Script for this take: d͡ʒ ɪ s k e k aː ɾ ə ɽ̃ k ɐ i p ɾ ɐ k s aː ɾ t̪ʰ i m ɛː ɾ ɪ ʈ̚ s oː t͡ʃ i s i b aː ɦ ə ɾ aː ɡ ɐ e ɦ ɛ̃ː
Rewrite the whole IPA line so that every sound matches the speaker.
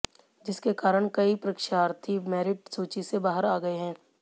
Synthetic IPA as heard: d͡ʒ ɪ s k e k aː ɾ ə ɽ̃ k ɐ i p ɾ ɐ k ʃ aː ɾ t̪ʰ i m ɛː ɾ ɪ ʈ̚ s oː t͡ʃ i s e b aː ɦ ə ɾ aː ɡ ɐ e ɦ ɛ̃ː